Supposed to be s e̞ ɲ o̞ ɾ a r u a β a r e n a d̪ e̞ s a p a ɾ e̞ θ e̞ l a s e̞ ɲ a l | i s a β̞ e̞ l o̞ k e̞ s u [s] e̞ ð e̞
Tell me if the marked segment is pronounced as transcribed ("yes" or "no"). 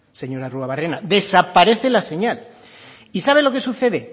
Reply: no